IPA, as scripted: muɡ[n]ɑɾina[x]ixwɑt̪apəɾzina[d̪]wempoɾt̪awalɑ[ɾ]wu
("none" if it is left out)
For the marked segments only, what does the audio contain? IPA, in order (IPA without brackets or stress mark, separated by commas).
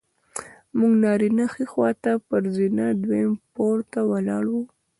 n, x, d̪, ɽ